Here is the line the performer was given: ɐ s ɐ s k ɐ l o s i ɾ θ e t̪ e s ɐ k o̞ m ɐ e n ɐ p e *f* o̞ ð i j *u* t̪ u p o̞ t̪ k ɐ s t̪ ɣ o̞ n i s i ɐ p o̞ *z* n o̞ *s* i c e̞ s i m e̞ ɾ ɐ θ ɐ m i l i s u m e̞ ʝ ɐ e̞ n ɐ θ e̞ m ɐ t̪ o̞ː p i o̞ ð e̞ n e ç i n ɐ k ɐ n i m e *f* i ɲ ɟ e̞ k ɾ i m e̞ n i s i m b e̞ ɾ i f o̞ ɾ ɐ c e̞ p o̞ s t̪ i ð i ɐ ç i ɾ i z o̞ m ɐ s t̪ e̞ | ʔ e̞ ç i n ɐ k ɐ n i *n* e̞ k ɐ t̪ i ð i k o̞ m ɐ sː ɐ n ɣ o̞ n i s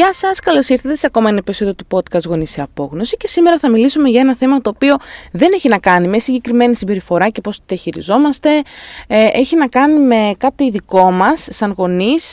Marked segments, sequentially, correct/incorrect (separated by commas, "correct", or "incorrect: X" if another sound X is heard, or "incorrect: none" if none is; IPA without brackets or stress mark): incorrect: s, incorrect: o, incorrect: ɣ, correct, incorrect: s, incorrect: m